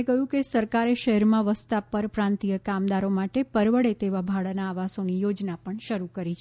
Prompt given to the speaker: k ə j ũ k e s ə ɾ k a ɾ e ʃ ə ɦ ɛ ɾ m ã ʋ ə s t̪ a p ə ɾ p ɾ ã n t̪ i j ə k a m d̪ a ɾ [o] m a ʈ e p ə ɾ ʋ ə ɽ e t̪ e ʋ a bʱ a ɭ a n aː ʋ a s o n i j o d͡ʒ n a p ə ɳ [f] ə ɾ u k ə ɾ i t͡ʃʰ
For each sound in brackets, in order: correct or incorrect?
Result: correct, incorrect: ʃ

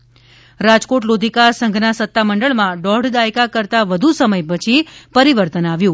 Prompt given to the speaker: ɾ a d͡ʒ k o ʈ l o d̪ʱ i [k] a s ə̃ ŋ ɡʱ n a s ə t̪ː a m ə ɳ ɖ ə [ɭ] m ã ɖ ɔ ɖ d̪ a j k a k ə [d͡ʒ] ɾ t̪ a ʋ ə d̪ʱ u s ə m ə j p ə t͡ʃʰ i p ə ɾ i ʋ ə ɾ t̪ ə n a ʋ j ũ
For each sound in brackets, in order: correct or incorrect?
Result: correct, correct, incorrect: none

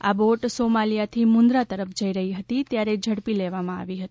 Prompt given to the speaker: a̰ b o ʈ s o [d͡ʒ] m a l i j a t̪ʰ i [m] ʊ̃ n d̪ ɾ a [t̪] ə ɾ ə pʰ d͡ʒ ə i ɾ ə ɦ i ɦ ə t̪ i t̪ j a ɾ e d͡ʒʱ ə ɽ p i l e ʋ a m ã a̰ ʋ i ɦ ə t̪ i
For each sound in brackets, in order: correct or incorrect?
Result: incorrect: none, correct, correct

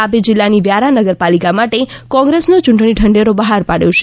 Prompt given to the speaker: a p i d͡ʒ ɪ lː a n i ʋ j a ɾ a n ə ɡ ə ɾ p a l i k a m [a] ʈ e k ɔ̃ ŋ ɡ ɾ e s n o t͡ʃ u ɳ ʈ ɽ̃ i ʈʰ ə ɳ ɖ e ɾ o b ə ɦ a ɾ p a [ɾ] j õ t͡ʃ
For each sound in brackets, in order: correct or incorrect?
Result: correct, incorrect: ɽ

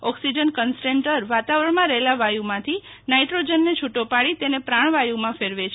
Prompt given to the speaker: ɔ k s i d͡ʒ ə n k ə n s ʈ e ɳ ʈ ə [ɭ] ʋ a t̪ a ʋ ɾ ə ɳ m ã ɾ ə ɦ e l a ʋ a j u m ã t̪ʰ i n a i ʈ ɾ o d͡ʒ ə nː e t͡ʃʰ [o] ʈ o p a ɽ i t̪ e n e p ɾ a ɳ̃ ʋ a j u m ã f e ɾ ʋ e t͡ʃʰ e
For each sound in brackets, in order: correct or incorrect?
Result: incorrect: ɾ, incorrect: u

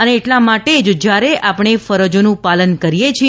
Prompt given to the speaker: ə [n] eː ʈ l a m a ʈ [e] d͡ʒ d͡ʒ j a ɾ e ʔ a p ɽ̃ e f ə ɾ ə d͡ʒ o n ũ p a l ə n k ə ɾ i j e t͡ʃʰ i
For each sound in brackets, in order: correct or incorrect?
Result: correct, correct

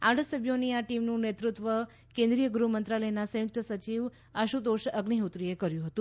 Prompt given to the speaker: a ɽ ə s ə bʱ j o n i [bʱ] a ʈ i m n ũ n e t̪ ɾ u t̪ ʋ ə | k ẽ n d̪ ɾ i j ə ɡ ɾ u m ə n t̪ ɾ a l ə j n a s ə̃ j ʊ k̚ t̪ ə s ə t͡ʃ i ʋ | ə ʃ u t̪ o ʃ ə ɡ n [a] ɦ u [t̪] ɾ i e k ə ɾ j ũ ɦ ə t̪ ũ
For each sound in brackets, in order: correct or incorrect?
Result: incorrect: none, incorrect: i, correct

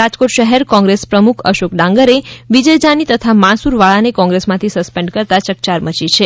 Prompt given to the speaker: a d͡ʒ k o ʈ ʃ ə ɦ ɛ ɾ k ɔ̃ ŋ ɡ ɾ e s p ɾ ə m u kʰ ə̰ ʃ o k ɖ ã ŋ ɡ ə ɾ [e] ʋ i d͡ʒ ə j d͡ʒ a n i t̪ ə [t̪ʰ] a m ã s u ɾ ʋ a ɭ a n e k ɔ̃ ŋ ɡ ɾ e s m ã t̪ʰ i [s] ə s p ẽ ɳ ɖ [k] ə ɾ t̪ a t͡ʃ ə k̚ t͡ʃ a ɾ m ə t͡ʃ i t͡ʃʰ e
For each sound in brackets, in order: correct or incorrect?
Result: correct, correct, correct, correct

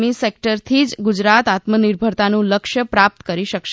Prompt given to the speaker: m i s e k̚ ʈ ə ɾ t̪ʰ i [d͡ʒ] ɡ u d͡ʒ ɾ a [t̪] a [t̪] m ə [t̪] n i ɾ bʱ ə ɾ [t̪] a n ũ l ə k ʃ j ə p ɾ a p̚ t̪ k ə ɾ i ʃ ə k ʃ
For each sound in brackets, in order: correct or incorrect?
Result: correct, correct, correct, incorrect: none, correct

